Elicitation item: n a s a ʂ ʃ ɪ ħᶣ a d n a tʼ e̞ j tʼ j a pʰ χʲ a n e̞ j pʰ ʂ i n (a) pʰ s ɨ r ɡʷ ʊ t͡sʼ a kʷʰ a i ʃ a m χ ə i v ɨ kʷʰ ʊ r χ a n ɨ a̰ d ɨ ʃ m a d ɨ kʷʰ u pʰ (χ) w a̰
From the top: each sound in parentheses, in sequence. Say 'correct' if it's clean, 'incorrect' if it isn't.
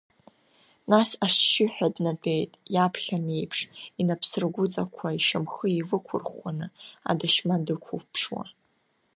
correct, incorrect

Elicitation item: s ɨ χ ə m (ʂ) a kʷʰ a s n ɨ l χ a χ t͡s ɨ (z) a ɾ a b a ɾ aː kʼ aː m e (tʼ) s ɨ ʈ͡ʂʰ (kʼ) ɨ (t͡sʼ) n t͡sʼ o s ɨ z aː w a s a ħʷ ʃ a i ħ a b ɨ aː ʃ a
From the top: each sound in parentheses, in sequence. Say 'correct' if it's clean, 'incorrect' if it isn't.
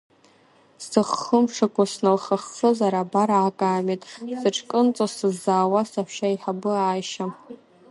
correct, correct, correct, correct, incorrect

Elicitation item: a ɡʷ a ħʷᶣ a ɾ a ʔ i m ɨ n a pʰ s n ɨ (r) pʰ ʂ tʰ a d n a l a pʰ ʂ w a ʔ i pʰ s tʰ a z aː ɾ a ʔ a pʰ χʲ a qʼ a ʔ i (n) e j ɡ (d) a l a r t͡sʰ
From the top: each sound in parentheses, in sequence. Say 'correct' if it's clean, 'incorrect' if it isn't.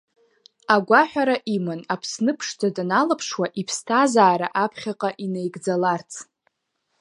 incorrect, correct, incorrect

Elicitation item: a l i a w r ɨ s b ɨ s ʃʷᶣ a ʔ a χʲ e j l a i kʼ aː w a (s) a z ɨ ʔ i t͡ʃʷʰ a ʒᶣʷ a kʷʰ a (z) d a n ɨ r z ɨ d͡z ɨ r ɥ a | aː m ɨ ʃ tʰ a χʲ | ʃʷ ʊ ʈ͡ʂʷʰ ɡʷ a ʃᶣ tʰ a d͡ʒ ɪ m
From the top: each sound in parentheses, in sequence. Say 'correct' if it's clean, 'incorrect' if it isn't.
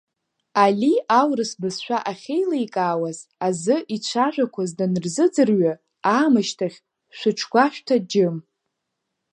incorrect, correct

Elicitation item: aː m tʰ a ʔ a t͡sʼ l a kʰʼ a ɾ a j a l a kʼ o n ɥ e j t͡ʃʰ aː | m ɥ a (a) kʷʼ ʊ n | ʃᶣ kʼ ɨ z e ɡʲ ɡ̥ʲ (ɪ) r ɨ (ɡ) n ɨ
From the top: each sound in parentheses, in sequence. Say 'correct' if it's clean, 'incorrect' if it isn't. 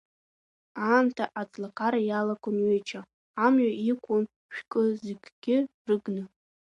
incorrect, correct, correct

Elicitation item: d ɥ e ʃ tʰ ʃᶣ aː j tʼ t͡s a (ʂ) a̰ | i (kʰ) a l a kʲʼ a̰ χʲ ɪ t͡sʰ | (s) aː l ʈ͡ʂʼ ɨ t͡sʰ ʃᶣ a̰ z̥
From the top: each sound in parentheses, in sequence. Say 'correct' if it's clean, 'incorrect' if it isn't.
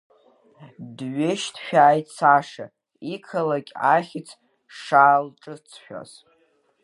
correct, correct, incorrect

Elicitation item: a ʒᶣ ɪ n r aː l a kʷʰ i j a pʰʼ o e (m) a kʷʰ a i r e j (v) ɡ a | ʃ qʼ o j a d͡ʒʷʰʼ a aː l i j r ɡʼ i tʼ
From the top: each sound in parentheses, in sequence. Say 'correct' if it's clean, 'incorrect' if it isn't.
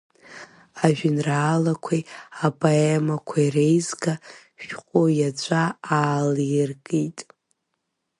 correct, incorrect

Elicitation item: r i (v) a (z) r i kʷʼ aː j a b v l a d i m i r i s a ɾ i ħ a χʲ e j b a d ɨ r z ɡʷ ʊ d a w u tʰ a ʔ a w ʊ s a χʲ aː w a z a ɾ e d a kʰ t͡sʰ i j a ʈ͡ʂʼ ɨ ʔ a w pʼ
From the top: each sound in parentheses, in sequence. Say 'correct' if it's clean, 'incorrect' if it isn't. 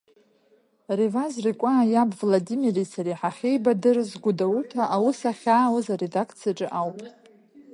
correct, correct

